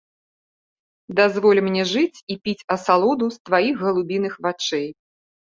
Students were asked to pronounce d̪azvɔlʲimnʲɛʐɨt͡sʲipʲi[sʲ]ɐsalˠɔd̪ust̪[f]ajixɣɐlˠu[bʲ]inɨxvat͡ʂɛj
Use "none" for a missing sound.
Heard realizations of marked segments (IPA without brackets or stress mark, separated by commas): t͡sʲ, v, bʲ